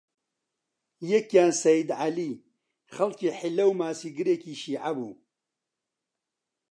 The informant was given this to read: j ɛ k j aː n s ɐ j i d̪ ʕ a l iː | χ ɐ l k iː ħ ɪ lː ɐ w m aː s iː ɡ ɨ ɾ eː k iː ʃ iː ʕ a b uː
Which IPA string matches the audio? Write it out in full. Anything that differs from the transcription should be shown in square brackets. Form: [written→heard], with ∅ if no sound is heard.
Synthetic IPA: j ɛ k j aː n s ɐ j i d̪ ʕ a l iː | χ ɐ l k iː ħ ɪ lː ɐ w m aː s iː ɡ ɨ ɾ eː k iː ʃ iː ʕ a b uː